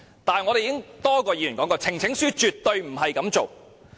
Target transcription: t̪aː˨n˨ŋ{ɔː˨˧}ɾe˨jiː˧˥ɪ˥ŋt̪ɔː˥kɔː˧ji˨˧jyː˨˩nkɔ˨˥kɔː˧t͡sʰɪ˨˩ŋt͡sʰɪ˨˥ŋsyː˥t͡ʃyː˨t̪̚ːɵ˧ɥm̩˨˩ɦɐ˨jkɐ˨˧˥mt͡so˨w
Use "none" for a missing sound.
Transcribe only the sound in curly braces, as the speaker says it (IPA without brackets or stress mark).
ɔ˨˧